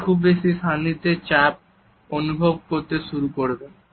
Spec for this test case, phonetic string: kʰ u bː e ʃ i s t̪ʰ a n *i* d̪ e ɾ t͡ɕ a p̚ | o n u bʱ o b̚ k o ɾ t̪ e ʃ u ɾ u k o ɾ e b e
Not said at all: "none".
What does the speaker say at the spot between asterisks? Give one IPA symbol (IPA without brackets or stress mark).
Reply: i